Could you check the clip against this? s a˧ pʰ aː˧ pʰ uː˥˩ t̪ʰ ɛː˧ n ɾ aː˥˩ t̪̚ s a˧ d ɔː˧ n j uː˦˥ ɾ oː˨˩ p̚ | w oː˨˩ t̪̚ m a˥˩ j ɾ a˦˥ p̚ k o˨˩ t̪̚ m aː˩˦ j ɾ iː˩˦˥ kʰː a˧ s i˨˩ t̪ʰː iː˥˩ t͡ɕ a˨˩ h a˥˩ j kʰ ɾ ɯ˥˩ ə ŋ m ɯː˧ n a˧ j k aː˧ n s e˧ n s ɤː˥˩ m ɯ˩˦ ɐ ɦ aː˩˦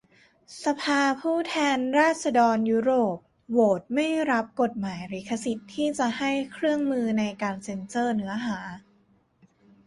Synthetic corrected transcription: s a˧ pʰ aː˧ pʰ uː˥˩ t̪ʰ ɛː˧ n ɾ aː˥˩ t̪̚ s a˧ d ɔː˧ n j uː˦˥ ɾ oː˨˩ p̚ | w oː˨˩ t̪̚ m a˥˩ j ɾ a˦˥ p̚ k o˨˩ t̪̚ m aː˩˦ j ɾ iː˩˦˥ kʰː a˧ s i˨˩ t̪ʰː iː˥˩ t͡ɕ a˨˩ h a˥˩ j kʰ ɾ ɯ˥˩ ə ŋ m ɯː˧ n a˧ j k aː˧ n s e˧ n s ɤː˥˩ n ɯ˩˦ ɐ ɦ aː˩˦